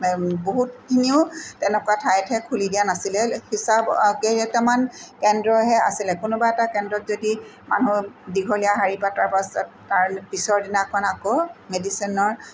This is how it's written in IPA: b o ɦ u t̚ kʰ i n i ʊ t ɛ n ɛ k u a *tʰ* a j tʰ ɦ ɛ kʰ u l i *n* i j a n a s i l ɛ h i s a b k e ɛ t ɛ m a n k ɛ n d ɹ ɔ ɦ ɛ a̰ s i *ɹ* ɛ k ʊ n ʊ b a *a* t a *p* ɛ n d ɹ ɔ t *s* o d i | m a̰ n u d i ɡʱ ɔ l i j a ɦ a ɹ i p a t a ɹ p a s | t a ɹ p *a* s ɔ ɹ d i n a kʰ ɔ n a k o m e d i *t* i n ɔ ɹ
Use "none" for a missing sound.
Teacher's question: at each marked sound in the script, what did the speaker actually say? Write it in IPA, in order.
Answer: tʰ, d, l, ɛ, k, z, i, s

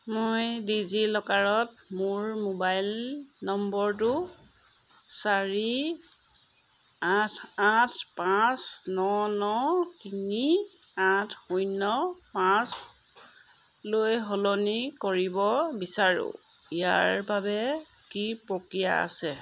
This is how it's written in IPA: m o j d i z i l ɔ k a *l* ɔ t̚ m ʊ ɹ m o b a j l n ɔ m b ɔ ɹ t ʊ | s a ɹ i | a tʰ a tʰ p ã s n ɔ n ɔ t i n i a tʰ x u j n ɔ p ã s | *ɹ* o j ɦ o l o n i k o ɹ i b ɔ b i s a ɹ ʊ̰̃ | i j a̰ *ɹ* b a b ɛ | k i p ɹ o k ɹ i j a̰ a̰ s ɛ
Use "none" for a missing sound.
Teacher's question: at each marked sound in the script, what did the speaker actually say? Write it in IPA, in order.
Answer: ɹ, l, ɹ

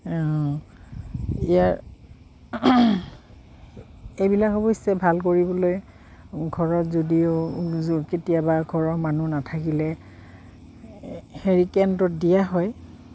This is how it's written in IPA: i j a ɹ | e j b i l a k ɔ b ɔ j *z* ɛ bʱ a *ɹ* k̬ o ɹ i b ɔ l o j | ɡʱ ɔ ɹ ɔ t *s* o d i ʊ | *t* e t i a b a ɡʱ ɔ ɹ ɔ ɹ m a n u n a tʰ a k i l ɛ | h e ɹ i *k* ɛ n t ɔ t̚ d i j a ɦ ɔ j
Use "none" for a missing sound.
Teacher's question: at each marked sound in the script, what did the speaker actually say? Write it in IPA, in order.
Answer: s, l, z, k, k

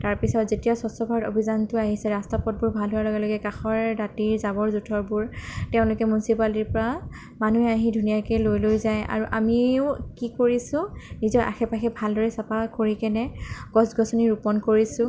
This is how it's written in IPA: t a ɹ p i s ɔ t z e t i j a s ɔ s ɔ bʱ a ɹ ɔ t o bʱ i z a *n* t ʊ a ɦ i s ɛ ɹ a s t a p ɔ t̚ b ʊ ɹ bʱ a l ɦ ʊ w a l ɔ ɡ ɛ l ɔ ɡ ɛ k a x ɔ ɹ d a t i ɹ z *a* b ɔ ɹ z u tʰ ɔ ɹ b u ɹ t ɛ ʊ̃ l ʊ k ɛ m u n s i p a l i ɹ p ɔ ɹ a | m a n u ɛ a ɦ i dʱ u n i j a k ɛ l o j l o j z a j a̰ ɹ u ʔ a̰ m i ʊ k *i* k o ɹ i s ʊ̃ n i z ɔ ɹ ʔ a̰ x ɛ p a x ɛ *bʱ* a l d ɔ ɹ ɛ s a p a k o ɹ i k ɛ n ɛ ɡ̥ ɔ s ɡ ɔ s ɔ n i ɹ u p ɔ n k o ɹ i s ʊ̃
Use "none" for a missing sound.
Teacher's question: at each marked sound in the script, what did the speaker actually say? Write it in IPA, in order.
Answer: n, a, i, bʱ

